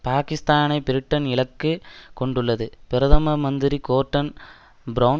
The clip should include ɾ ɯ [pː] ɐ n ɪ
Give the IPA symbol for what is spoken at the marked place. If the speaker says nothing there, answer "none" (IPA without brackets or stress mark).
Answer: ʈː